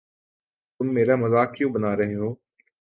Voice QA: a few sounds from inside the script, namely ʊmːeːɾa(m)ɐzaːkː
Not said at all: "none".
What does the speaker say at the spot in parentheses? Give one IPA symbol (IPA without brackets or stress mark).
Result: m